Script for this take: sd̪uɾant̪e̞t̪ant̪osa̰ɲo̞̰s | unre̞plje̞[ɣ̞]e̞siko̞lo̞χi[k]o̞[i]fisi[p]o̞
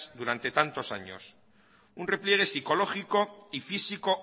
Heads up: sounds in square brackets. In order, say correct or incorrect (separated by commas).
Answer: correct, correct, correct, incorrect